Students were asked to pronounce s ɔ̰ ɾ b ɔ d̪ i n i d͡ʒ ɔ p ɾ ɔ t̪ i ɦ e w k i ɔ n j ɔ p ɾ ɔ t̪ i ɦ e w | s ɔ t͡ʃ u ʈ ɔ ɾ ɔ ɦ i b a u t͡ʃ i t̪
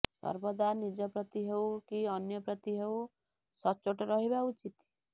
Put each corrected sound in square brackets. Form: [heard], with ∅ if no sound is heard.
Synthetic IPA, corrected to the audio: s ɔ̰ ɾ b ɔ d̪ [a] n i d͡ʒ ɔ p ɾ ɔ t̪ i ɦ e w k i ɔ n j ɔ p ɾ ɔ t̪ i ɦ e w | s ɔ t͡ʃ [o] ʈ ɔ ɾ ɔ ɦ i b a u t͡ʃ i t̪